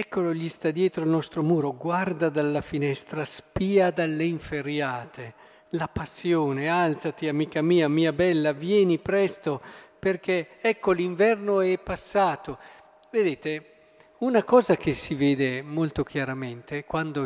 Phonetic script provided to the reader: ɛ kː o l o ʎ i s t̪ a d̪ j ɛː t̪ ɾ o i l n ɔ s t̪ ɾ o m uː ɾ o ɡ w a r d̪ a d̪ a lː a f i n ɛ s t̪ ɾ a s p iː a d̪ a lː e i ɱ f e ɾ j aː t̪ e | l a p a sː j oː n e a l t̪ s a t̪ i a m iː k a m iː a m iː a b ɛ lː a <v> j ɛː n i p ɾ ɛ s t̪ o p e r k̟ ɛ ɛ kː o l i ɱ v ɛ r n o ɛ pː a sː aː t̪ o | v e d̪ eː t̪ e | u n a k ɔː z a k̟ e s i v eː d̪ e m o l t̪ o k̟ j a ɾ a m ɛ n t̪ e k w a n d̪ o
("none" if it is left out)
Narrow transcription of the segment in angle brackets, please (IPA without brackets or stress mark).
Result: v